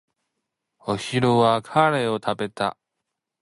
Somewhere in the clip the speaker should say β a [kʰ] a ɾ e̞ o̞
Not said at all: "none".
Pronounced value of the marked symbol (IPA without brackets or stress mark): kʰ